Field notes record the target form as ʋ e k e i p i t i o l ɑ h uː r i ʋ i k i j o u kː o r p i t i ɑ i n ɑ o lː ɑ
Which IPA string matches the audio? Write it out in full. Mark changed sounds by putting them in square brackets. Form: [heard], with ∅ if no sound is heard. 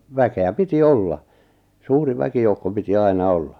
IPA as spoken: ʋ [æ] k e [æ] p i t i o [lː] ɑ [s] uː r i ʋ [æ] k i j o u kː o [∅] p i t i ɑ i n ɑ o lː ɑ